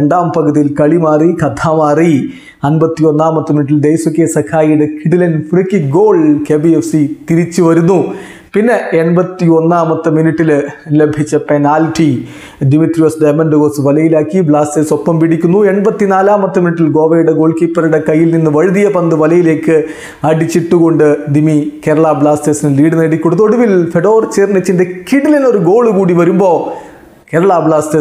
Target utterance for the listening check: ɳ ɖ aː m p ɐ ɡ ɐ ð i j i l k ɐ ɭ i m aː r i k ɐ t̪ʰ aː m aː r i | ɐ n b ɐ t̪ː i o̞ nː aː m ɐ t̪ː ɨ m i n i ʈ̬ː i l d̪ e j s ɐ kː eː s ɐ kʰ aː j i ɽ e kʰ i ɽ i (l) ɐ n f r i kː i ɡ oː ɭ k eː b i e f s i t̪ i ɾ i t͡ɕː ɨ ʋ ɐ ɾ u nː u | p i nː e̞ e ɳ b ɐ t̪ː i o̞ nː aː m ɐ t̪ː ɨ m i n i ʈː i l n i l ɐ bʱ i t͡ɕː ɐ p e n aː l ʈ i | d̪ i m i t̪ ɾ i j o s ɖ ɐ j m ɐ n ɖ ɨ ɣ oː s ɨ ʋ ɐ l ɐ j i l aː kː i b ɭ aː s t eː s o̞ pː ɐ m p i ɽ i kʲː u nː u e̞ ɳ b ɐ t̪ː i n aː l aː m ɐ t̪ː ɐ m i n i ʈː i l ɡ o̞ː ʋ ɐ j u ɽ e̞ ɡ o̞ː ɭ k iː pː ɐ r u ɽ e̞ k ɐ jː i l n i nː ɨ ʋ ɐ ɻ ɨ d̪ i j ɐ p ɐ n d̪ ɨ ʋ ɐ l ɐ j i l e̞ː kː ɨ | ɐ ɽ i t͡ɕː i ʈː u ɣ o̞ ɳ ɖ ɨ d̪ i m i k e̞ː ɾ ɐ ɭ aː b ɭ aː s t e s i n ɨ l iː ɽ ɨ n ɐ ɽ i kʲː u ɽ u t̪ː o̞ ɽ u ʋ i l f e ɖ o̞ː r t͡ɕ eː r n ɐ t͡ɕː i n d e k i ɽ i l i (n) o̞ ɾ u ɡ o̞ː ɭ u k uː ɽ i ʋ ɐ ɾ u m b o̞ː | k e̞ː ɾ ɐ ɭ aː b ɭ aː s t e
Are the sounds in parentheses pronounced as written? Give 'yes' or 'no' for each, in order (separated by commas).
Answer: yes, yes